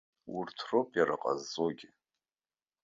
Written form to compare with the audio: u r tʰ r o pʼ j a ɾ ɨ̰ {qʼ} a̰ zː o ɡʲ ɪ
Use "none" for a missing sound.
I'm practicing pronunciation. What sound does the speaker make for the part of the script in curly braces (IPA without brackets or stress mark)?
qʼ